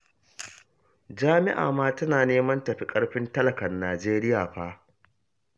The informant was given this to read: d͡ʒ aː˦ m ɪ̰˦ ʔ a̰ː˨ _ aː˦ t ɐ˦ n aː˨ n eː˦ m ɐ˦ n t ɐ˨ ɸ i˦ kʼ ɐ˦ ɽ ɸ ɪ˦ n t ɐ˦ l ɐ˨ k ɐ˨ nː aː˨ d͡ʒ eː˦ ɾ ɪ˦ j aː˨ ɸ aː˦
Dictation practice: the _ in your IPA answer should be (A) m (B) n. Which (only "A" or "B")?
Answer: A